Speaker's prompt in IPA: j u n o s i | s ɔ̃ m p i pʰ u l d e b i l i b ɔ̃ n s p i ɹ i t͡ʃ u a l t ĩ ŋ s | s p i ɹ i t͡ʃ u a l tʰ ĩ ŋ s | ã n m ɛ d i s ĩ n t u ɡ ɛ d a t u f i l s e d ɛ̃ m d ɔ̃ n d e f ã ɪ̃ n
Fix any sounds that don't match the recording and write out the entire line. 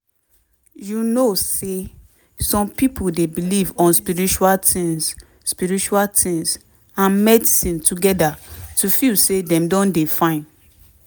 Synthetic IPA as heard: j u n o s e | s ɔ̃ m p i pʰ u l d e b i l i v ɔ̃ n s p i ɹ i t͡ʃ u a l t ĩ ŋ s | s p i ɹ i t͡ʃ u a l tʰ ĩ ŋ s | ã n m ɛ d i s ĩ n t u ɡ ɛ d a t u f i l s e d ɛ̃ m d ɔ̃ n d e f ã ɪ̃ n